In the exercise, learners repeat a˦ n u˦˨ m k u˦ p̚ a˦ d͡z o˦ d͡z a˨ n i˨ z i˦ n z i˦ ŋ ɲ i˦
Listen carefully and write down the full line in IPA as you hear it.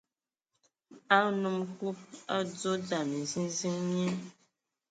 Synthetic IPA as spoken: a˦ n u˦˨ m k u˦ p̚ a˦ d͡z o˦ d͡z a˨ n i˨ z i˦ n z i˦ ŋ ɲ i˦